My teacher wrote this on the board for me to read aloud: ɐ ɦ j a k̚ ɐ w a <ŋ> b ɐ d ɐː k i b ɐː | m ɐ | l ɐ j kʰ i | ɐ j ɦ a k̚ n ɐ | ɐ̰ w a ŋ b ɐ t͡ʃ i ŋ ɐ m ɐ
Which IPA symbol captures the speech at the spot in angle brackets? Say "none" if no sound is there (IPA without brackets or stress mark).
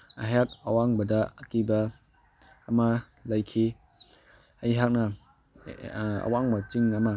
ŋ